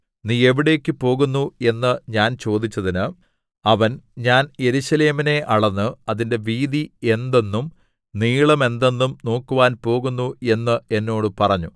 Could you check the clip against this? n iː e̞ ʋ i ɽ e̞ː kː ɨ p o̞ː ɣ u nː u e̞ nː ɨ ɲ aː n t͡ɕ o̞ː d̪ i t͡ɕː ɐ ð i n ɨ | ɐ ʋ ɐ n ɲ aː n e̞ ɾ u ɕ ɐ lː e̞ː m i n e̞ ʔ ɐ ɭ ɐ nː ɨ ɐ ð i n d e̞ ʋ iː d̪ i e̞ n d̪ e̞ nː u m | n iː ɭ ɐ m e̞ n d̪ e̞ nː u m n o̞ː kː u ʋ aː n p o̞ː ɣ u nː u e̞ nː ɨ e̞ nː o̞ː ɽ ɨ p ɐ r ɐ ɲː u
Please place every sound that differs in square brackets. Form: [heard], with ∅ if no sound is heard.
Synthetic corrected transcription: n iː e̞ ʋ i ɽ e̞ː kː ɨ p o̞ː ɣ u nː u e̞ nː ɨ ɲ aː n t͡ɕ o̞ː d̪ i t͡ɕː ɐ ð i n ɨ | ɐ ʋ ɐ n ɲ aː n e̞ ɾ u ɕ ɐ [l] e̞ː m i n e̞ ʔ ɐ ɭ ɐ nː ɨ ɐ ð i n d e̞ ʋ iː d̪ i e̞ n d̪ e̞ nː u m | n iː ɭ ɐ m e̞ n d̪ e̞ nː u m n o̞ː kː u ʋ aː n p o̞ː ɣ u nː u e̞ nː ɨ e̞ nː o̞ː ɽ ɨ p ɐ r ɐ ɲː u

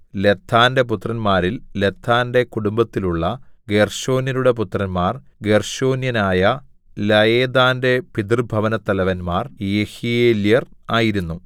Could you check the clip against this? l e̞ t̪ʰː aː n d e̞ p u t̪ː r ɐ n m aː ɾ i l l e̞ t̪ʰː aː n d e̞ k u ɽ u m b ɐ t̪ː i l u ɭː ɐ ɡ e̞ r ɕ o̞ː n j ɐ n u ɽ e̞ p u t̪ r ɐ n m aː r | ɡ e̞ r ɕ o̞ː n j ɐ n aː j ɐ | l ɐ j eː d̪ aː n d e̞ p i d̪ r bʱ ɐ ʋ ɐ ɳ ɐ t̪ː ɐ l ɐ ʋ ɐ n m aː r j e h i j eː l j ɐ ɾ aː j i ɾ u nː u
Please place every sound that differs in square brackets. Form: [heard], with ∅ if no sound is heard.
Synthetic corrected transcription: l e̞ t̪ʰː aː n d e̞ p u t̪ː r ɐ n m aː ɾ i l l e̞ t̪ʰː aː n d e̞ k u ɽ u m b ɐ t̪ː i l u ɭː ɐ ɡ e̞ r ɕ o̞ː n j ɐ n u ɽ e̞ p u t̪ r ɐ n m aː r | ɡ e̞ r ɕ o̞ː n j ɐ n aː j ɐ | l ɐ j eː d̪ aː n d e̞ p i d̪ r bʱ ɐ ʋ ɐ [n] ɐ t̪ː ɐ l ɐ ʋ ɐ n m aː r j e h i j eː l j ɐ [r] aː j i ɾ u nː u

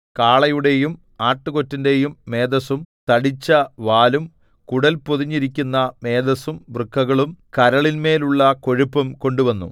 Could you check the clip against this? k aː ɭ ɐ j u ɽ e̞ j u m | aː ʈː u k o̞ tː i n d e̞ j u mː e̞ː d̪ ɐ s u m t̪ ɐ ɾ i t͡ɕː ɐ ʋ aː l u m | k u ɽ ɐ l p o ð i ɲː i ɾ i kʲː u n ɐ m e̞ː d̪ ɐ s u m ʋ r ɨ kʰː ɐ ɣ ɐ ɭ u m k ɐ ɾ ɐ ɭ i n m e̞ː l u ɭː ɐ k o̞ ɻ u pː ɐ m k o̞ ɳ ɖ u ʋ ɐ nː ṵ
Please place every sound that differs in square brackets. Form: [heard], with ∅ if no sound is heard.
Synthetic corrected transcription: k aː ɭ ɐ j u ɽ e̞ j u m | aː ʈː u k o̞ tː i n d e̞ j u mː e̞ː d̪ ɐ s u m t̪ ɐ [ɽ] i t͡ɕː ɐ ʋ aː l u m | k u ɽ ɐ l p o ð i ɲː i ɾ i kʲː u [nː] ɐ m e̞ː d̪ ɐ s u m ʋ r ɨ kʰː ɐ ɣ ɐ ɭ u m k ɐ ɾ ɐ ɭ i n m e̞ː l u ɭː ɐ k o̞ ɻ u pː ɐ m k o̞ ɳ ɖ u ʋ ɐ nː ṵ

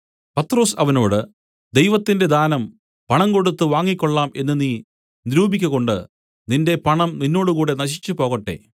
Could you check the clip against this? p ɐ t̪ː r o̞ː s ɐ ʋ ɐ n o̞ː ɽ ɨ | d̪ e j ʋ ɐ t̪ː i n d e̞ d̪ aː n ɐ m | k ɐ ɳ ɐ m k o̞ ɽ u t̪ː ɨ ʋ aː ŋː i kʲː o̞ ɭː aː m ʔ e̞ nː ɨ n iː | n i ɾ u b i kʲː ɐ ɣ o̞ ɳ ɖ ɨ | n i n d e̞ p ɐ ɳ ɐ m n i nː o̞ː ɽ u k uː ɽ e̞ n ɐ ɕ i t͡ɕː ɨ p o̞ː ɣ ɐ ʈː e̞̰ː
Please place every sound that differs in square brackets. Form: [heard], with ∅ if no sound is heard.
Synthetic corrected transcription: p ɐ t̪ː r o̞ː s ɐ ʋ ɐ n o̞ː ɽ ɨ | d̪ e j ʋ ɐ t̪ː i n d e̞ d̪ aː n ɐ m | [p] ɐ ɳ ɐ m k o̞ ɽ u t̪ː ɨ ʋ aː ŋː i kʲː o̞ ɭː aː m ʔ e̞ nː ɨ n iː | n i ɾ [uː] b i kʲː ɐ ɣ o̞ ɳ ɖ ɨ | n i n d e̞ p ɐ ɳ ɐ m n i nː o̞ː ɽ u k uː ɽ e̞ n ɐ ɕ i t͡ɕː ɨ p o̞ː ɣ ɐ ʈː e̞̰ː

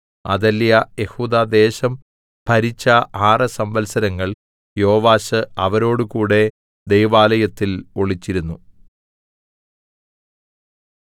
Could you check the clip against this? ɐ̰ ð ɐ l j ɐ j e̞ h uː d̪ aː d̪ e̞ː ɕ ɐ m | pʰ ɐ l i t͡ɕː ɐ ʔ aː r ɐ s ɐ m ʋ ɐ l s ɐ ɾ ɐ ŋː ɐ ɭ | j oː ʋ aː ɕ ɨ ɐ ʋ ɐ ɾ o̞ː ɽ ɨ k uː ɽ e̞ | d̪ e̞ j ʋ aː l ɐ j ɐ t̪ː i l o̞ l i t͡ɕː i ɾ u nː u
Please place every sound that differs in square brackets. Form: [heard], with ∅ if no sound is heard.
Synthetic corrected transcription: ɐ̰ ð ɐ l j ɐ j e̞ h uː d̪ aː d̪ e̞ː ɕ ɐ m | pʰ ɐ [ɾ] i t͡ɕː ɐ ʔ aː r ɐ s ɐ m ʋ ɐ l s ɐ ɾ ɐ ŋː ɐ ɭ | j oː ʋ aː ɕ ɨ ɐ ʋ ɐ ɾ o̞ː ɽ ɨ k uː ɽ e̞ | d̪ e̞ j ʋ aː l ɐ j ɐ t̪ː i l o̞ [ɭ] i t͡ɕː i ɾ u nː u

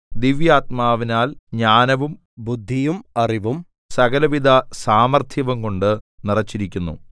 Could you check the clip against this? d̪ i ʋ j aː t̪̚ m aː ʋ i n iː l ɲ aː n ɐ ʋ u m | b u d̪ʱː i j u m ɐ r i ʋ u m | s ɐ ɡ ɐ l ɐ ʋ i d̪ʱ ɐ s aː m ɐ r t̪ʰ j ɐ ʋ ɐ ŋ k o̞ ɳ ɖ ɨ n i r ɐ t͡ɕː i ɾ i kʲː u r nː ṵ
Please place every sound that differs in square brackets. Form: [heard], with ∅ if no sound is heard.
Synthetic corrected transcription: d̪ i ʋ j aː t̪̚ m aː ʋ i n [aː] l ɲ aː n ɐ ʋ u m | b u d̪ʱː i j u m ɐ r i ʋ u m | s ɐ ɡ ɐ l ɐ ʋ i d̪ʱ ɐ s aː m ɐ r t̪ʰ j ɐ ʋ ɐ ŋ k o̞ ɳ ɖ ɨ n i r ɐ t͡ɕː i ɾ i kʲː u [∅] nː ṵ

